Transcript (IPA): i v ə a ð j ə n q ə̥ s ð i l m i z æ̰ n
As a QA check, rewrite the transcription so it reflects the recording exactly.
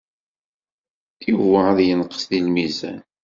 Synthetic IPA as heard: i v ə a ð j ə n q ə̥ s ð i l m i z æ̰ n